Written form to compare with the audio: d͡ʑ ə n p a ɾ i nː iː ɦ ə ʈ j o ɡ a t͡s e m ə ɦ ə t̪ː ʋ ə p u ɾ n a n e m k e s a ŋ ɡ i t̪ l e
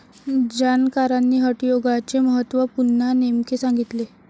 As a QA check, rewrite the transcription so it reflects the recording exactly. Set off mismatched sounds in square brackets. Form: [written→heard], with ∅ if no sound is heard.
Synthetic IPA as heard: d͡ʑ [ə→a] n [p→k] a ɾ [i→a] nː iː ɦ ə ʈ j o ɡ a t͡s e m ə ɦ ə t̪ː ʋ ə p u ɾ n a n e m k e s a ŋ ɡ i t̪ l e